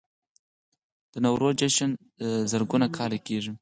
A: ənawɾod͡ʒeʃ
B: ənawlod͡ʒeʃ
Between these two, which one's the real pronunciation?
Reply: A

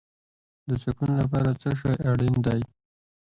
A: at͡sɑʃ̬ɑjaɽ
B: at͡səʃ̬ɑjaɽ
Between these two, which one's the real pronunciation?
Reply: B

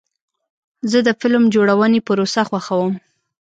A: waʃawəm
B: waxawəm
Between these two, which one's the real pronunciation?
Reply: B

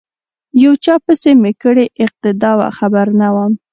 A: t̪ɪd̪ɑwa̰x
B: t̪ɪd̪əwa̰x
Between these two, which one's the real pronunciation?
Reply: A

